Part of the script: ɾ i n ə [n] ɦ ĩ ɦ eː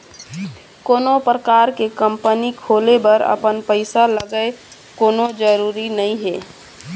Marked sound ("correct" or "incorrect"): incorrect